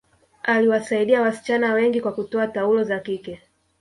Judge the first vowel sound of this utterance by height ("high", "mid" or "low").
low